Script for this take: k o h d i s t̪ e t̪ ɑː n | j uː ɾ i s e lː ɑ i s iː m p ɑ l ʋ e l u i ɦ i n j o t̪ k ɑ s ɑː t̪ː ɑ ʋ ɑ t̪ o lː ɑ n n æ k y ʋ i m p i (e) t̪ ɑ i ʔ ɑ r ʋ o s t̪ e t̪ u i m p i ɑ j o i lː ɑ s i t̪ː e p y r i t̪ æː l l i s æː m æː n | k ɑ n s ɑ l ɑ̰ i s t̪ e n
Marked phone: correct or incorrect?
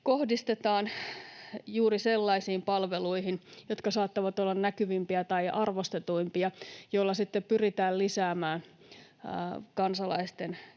incorrect